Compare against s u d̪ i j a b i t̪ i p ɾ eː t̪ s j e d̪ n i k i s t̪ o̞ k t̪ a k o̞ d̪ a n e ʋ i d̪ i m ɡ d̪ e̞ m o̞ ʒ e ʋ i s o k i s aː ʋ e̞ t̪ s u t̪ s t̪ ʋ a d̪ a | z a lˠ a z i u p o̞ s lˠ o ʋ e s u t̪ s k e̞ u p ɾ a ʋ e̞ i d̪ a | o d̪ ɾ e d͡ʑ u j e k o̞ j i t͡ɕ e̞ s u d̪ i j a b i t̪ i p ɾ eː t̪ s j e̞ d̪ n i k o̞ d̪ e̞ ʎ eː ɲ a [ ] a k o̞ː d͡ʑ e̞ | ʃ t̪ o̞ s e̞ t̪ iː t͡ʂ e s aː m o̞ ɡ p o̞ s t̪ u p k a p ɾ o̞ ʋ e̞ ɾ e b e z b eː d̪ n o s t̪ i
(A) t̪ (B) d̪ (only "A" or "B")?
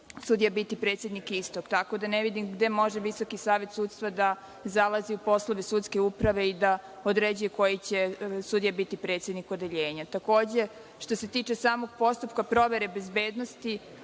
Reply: A